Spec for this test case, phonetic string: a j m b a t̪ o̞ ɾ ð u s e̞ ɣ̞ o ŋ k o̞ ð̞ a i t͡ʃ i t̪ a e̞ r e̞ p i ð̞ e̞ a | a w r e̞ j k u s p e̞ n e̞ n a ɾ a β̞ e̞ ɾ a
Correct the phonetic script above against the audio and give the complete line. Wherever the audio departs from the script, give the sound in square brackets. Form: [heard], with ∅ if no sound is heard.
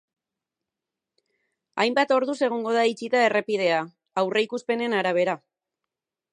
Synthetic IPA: a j m b a t̪ o̞ ɾ ð u s e̞ ɣ̞ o ŋ [ɡ] o̞ ð̞ a i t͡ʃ i t̪ a e̞ r e̞ p i ð̞ e̞ a | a w r e̞ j k u s p e̞ n e̞ n a ɾ a β̞ e̞ ɾ a

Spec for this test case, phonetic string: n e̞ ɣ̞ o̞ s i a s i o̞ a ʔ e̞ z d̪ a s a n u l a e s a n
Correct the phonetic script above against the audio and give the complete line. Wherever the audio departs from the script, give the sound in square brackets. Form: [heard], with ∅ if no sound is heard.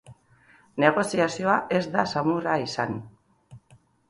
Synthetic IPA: n e̞ ɣ̞ o̞ s i a s i o̞ a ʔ e̞ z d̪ a s a [m] u [r] a [i] s a n

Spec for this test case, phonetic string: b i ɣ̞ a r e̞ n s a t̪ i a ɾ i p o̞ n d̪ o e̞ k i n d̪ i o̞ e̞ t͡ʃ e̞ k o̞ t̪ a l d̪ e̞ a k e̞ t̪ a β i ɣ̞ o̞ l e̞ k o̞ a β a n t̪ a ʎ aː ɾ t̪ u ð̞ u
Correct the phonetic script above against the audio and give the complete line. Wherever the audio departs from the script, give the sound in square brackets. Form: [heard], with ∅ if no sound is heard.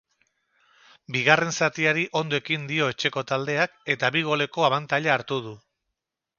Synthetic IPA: b i ɣ̞ a r e̞ n s a t̪ i a ɾ i [ʔ] o̞ n d̪ o e̞ k i n d̪ i o̞ e̞ t͡ʃ e̞ k o̞ t̪ a l d̪ e̞ a k e̞ t̪ a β i ɣ̞ o̞ l e̞ k o̞ a β a n t̪ a ʎ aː ɾ t̪ u ð̞ u

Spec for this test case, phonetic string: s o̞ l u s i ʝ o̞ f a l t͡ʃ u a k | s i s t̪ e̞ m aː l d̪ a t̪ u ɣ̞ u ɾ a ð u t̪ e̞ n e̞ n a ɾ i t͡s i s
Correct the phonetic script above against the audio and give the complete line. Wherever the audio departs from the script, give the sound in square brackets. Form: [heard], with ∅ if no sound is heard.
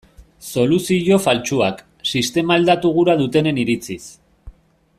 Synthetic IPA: s o̞ l u s i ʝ o̞ f a l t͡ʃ u a k | s i s t̪ e̞ m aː l d̪ a t̪ u ɣ̞ u ɾ a ð u t̪ e̞ n e̞ n [i] ɾ i t͡s i s

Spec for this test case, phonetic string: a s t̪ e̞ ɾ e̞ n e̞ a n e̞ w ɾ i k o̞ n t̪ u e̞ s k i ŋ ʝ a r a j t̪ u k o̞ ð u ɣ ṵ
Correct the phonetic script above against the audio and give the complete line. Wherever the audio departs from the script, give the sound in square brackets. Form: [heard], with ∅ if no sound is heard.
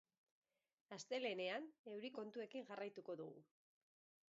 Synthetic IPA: a s t̪ e̞ [l] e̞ n e̞ a n e̞ w ɾ i k o̞ n t̪ u e̞ [∅] k i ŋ ʝ a r a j t̪ u k o̞ ð u ɣ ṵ

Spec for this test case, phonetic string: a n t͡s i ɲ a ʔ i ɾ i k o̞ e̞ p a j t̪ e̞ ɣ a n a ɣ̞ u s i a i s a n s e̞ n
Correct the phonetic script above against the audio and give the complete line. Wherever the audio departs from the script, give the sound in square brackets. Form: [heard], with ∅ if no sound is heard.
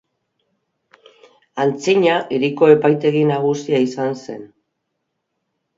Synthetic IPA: a n t͡s i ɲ a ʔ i ɾ i k o̞ e̞ p a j t̪ e̞ ɣ [i] n a ɣ̞ u s i a i s a n s e̞ n

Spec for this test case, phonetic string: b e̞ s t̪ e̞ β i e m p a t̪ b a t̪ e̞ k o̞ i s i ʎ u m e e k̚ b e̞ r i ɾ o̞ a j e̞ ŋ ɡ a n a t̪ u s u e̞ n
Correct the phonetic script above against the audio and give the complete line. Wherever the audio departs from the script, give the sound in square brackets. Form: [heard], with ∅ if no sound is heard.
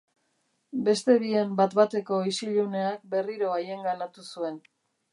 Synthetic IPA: b e̞ s t̪ e̞ β i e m [b] a t̪ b a t̪ e̞ k o̞ i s i ʎ u [n] e [a] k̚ b e̞ r i ɾ o̞ a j e̞ ŋ ɡ a n a t̪ u s u e̞ n

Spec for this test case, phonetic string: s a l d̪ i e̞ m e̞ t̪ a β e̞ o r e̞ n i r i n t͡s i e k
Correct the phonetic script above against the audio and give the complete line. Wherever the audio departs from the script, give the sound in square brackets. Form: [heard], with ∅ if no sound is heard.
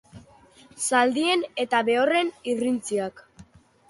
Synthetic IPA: s a l d̪ i e̞ [n] e̞ t̪ a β e̞ o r e̞ n i r i n t͡s i [a] k

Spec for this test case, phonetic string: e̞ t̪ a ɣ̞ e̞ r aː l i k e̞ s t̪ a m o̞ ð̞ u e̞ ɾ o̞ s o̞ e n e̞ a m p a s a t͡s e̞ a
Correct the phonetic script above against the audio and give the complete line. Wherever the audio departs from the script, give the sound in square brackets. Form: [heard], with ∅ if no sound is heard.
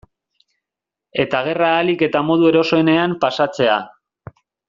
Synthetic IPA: e̞ t̪ a ɣ̞ e̞ r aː l i k e̞ [∅] t̪ a m o̞ ð̞ u e̞ ɾ o̞ s o̞ e n e̞ a m p a s a t͡s e̞ a

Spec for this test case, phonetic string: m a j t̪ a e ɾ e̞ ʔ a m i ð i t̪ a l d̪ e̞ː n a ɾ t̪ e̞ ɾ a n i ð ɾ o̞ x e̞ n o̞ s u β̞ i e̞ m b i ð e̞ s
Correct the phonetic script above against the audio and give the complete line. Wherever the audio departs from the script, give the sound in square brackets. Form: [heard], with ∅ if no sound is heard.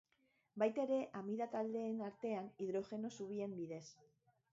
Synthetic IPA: [b] a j t̪ a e ɾ e̞ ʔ a m i ð [a] t̪ a l d̪ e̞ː n a ɾ t̪ e̞ [∅] a n i ð ɾ o̞ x e̞ n o̞ s u β̞ i e̞ m b i ð e̞ s

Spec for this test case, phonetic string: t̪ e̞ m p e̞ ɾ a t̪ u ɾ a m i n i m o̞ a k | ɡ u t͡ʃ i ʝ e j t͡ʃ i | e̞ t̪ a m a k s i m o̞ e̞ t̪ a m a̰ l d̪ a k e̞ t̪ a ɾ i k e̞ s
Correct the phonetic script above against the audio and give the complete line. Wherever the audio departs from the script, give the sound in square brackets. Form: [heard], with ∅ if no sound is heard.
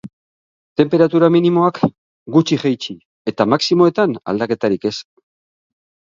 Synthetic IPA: t̪ e̞ m p e̞ ɾ a t̪ u ɾ a m i n i m o̞ a k | ɡ u t͡ʃ i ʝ e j t͡ʃ i | e̞ t̪ a m a k s i m o̞ e̞ t̪ a [n] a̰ l d̪ a k e̞ t̪ a ɾ i k e̞ s

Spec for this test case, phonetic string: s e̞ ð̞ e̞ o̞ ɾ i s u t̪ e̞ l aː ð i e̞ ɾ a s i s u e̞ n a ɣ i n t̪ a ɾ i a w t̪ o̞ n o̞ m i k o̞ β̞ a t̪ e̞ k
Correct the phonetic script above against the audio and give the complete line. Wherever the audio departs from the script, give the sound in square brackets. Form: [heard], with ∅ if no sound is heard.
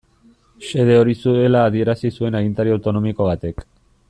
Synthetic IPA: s e̞ ð̞ e̞ o̞ ɾ i s u [∅] e̞ l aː ð i e̞ ɾ a s i s u e̞ n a ɣ i n t̪ a ɾ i a w t̪ o̞ n o̞ m i k o̞ β̞ a t̪ e̞ k

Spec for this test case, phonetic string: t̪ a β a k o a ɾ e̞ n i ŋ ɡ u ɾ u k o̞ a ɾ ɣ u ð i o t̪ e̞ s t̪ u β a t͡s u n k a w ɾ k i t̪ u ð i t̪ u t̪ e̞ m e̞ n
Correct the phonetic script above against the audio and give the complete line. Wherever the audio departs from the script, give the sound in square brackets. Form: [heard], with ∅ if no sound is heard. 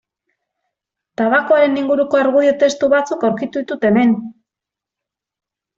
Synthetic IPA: t̪ a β a k o a ɾ e̞ n i ŋ ɡ u ɾ u k o̞ a ɾ ɣ u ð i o t̪ e̞ s t̪ u β a t͡s u [∅] k a w ɾ k i t̪ u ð i t̪ u t̪ e̞ m e̞ n

